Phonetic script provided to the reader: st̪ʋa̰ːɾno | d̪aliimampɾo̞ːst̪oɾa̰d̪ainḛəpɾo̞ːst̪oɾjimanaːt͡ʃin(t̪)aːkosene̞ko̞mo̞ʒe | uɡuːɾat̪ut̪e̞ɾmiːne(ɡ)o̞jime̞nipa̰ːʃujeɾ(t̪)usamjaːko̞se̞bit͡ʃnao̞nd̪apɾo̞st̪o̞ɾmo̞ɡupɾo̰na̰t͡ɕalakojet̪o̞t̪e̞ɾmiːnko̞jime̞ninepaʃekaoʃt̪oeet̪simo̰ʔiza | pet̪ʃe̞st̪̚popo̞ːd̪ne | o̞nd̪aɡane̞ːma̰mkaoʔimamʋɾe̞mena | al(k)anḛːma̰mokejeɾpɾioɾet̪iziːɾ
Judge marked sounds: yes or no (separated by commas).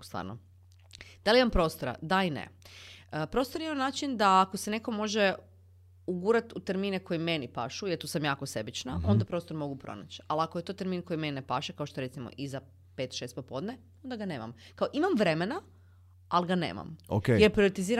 no, no, yes, no